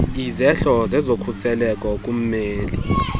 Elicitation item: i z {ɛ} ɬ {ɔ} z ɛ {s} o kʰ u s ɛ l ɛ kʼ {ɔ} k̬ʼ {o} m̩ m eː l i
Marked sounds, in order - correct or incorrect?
correct, correct, incorrect: z, correct, incorrect: u

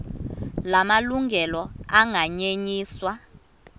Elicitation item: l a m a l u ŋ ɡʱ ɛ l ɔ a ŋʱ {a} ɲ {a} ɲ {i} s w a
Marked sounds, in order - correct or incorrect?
correct, incorrect: e, incorrect: iː

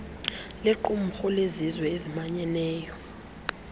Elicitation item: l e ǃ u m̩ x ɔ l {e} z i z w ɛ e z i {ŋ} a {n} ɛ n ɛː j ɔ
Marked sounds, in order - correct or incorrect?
correct, incorrect: m, incorrect: ɲ

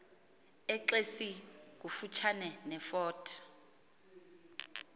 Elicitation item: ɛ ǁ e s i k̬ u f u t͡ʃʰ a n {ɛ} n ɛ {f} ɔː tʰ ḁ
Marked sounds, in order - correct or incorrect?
correct, correct

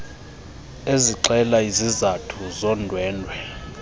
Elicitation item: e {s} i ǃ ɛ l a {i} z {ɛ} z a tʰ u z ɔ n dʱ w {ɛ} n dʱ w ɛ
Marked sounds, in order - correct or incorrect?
incorrect: z, correct, incorrect: i, incorrect: ɛː

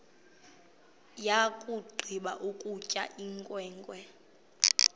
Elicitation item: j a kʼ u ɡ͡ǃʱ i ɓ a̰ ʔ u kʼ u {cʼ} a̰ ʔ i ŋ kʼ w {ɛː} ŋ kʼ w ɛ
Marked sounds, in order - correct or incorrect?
correct, correct

